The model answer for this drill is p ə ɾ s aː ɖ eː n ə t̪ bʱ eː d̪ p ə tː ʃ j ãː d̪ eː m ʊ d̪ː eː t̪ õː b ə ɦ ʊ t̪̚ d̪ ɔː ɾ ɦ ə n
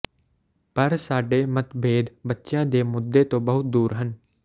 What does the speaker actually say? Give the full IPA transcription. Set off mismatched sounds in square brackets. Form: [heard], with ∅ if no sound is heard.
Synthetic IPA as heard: p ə ɾ s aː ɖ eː [m] ə t̪ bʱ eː d̪ [b] ə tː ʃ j ãː d̪ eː m ʊ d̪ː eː t̪ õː b ə ɦ ʊ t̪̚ d̪ [uː] ɾ ɦ ə n